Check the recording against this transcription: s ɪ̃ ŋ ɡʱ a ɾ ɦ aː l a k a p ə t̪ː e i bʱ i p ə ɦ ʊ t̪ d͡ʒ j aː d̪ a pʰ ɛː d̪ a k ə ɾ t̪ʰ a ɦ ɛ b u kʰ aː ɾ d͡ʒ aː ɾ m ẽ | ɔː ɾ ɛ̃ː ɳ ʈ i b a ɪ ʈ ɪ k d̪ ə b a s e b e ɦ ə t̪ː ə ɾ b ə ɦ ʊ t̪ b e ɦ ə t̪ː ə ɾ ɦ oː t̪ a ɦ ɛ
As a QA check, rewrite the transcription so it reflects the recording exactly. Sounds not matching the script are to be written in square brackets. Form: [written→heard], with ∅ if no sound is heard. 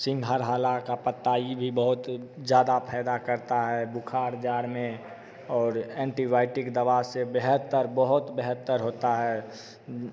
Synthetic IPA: s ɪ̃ ŋ ɡʱ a ɾ ɦ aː l a k a p ə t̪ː [e→a] i bʱ i [p→b] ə ɦ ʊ t̪ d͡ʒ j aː d̪ a pʰ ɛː d̪ a k ə ɾ [t̪ʰ→t̪] a ɦ ɛ b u kʰ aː ɾ d͡ʒ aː ɾ m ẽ | ɔː ɾ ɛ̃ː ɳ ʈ i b a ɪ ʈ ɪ k d̪ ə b a s e b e ɦ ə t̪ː ə ɾ b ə ɦ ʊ t̪ b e ɦ ə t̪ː ə ɾ ɦ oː t̪ a ɦ ɛ